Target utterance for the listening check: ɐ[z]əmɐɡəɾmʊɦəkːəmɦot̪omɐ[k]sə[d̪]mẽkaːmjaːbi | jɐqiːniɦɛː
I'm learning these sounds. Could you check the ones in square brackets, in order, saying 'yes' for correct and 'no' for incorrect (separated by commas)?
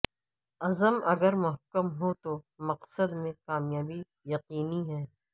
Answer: yes, no, yes